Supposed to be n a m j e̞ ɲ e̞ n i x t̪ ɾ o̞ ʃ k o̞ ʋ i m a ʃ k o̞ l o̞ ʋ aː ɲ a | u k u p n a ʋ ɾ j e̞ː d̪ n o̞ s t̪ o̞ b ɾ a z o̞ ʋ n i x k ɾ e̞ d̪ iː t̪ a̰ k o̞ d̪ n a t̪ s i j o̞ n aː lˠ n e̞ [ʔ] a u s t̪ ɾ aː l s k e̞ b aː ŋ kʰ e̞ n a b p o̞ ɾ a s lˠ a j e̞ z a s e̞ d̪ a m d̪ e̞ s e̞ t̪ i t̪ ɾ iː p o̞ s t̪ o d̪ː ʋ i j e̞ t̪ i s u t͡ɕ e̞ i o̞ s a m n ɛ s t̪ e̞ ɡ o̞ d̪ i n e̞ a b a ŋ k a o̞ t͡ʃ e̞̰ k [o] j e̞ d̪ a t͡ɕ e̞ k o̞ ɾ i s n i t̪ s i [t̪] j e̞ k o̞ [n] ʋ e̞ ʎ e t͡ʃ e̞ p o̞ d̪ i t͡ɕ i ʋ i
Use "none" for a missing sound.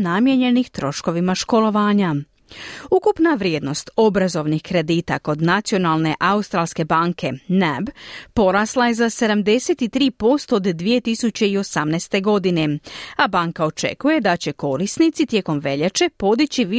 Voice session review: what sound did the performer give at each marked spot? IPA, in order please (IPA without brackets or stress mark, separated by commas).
ʔ, u, t̪, m